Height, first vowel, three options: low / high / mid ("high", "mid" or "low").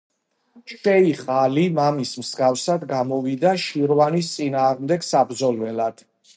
mid